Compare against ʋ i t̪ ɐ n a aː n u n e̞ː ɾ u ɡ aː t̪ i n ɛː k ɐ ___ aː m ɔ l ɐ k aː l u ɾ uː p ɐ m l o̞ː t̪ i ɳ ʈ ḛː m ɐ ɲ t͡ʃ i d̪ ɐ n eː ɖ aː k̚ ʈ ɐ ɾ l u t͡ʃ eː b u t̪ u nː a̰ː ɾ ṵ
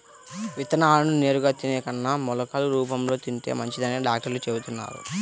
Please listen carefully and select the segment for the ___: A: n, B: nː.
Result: B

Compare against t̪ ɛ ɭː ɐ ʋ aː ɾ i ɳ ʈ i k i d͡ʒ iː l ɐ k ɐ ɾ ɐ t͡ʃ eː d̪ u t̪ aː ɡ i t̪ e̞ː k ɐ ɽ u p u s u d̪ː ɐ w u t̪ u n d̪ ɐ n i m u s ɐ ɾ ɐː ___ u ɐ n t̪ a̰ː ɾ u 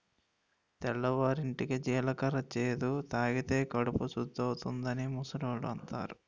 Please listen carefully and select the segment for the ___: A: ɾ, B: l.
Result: B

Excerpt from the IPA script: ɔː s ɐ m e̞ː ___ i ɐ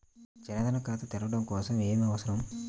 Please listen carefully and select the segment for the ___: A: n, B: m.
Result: B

